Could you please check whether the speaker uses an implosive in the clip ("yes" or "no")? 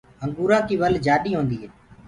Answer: yes